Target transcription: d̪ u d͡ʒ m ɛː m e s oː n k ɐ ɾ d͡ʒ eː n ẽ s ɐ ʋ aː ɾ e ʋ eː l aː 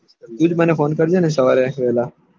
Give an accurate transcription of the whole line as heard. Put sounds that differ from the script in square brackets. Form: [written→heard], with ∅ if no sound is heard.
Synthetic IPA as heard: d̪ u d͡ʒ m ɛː [m→n] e [s→f] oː n k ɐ ɾ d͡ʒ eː n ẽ s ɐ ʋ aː ɾ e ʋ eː l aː